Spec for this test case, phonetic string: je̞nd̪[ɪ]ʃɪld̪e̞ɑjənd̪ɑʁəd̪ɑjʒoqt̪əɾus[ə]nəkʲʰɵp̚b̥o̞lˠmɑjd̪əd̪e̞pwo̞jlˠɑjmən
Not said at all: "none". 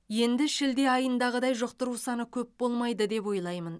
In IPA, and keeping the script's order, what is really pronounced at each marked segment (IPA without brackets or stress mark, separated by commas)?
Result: ɪ, ɑ